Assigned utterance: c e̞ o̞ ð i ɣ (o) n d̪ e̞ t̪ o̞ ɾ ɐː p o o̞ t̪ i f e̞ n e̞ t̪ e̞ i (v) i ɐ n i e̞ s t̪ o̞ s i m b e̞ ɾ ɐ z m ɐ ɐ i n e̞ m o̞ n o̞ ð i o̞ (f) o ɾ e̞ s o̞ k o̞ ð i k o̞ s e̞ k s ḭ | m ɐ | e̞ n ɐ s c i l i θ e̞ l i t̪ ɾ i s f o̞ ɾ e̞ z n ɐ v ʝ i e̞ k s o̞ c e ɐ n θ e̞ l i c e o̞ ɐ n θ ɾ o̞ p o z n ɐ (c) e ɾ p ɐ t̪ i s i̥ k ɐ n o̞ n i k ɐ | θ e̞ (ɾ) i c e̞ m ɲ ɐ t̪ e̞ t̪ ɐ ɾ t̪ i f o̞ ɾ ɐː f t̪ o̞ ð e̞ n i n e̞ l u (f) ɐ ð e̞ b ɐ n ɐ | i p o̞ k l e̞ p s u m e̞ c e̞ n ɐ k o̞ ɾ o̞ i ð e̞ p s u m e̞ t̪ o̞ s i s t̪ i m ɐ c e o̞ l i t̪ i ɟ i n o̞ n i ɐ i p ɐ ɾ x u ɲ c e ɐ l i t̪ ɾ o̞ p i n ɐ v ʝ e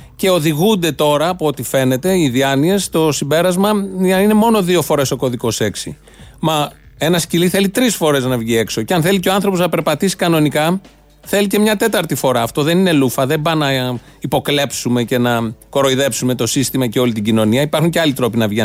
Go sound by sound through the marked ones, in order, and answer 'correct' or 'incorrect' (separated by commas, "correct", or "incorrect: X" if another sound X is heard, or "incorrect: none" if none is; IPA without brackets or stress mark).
incorrect: u, incorrect: ð, correct, incorrect: p, incorrect: l, correct